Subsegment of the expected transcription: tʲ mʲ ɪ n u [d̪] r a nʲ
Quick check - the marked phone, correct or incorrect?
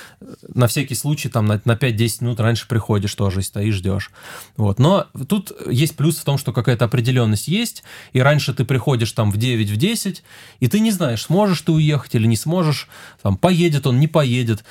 incorrect